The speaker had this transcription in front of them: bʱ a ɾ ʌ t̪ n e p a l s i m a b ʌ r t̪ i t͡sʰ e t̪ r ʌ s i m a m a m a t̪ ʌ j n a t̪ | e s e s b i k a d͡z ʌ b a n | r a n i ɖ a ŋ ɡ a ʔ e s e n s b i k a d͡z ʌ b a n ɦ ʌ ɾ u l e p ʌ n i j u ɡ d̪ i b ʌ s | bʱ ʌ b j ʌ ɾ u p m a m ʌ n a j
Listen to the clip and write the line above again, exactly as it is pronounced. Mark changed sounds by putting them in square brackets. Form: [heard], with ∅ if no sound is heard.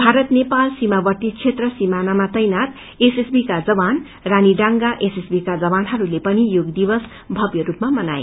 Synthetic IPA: bʱ a ɾ ʌ t̪ n e p a l s i m a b ʌ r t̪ i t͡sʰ e t̪ r ʌ s i m a [n] a m a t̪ ʌ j n a t̪ | e s e s b i k a d͡z ʌ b a n | r a n i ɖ a ŋ ɡ a ʔ e s e [∅] s b i k a d͡z ʌ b a n ɦ ʌ ɾ u l e p ʌ n i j [o] ɡ d̪ i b ʌ s | bʱ ʌ b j ʌ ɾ u p m a m ʌ n a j